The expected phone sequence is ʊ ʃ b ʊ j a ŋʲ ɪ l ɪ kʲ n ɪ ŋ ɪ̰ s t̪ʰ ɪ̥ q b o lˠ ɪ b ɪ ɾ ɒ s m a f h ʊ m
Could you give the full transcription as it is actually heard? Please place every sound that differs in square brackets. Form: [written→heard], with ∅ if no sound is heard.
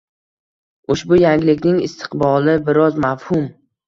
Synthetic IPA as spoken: ʊ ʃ b ʊ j a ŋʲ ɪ l ɪ kʲ n ɪ ŋ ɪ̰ s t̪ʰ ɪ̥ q b [o→ɒ] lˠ ɪ b ɪ ɾ ɒ [s→z] m a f h ʊ m